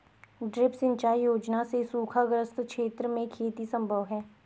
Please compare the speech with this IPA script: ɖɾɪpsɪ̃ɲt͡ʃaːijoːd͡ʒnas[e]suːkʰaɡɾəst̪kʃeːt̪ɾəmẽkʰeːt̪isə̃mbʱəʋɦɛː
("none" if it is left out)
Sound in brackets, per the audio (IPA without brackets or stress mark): e